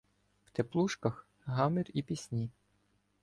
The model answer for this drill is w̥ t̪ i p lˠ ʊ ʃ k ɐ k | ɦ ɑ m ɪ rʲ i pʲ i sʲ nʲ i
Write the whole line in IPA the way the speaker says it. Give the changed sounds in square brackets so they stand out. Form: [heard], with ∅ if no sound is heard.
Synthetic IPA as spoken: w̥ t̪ [e] p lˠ [u] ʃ k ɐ [x] | ɦ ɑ m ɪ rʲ i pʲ i sʲ nʲ i